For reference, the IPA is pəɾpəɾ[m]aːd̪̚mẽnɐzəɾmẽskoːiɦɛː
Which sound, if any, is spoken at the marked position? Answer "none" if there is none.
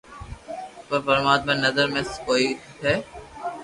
m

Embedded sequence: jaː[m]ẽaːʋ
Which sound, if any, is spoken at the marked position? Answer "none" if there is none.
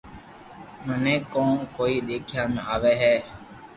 m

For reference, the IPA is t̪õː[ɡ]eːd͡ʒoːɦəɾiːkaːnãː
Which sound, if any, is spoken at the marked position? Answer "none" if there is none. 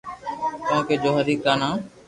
k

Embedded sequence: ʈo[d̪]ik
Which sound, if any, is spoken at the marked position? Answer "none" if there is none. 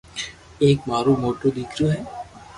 d̪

